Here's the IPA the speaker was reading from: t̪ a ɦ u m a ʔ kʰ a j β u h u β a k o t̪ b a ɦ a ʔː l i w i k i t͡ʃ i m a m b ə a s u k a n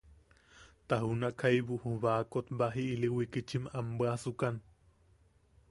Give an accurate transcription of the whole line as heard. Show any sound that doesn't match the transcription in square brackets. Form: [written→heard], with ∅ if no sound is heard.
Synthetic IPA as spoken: t̪ a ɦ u [m→n] a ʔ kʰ a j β u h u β a k o t̪ b a ɦ [a→i] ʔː l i w i k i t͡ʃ i m a m b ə a s u k a n